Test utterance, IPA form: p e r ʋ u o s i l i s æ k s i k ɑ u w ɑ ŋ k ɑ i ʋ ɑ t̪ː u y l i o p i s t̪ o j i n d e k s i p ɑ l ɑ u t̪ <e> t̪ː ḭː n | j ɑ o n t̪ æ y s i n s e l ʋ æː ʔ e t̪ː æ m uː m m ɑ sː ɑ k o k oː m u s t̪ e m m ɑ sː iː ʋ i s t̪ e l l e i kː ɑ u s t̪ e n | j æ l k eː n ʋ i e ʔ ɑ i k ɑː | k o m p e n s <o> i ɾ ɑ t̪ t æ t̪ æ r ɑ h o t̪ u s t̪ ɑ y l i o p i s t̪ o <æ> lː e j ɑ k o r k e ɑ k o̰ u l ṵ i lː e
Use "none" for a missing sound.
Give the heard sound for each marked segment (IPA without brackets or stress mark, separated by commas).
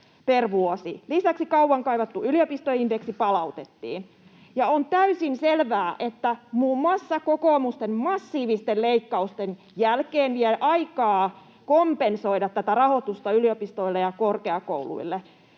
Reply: e, o, i